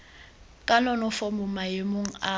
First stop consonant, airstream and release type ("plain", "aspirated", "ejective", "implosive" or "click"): ejective